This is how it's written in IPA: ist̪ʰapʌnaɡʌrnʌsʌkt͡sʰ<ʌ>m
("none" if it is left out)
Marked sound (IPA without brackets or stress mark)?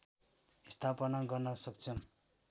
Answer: ʌ